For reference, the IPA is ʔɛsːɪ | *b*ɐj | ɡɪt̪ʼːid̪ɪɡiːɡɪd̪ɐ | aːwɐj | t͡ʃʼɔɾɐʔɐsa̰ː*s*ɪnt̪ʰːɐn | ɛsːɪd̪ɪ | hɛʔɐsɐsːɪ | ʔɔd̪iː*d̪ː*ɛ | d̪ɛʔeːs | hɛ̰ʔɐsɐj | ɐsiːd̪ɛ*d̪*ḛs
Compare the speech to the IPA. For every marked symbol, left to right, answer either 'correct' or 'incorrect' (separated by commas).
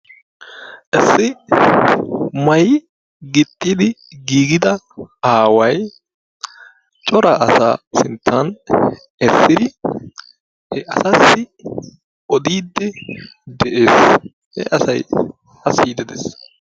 incorrect, correct, correct, correct